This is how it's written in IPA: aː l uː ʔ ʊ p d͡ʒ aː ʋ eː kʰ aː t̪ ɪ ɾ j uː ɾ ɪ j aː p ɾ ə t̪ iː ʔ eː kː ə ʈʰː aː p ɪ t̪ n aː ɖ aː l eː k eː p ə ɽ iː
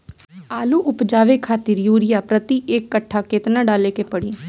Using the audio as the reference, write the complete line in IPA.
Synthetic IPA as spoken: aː l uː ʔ ʊ p d͡ʒ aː ʋ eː kʰ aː t̪ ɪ ɾ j uː ɾ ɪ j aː p ɾ ə t̪ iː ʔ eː kː ə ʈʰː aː k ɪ t̪ n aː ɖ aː l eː k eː p ə ɽ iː